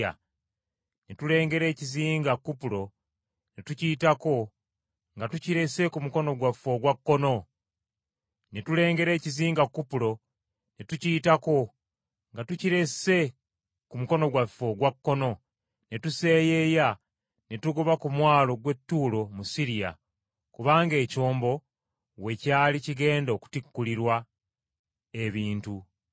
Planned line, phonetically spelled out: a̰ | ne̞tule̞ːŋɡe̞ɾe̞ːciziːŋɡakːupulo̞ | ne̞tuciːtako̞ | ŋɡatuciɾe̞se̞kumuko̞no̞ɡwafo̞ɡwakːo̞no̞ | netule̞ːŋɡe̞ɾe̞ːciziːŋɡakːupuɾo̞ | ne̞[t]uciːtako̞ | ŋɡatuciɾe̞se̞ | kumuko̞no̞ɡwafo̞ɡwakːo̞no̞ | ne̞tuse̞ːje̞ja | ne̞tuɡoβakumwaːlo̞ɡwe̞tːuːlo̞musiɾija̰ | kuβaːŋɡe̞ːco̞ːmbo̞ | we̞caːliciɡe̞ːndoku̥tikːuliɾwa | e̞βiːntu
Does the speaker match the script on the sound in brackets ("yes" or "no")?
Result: yes